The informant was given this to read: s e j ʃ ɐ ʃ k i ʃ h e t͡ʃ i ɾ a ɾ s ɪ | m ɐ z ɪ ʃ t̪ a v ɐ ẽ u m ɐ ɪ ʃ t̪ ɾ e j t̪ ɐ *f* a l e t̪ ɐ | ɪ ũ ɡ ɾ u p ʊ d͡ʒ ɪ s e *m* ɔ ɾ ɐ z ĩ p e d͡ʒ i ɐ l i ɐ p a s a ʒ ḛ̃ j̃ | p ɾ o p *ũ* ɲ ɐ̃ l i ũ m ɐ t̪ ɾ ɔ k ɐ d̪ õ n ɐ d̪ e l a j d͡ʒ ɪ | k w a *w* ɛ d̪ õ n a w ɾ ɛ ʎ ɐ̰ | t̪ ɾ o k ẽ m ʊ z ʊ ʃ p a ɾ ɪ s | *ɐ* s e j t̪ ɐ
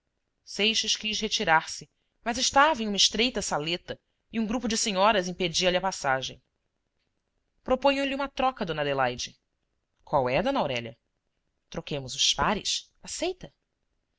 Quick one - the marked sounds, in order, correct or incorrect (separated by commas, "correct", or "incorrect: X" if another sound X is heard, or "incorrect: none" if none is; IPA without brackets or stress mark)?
incorrect: s, incorrect: ɲ, incorrect: õ, correct, incorrect: a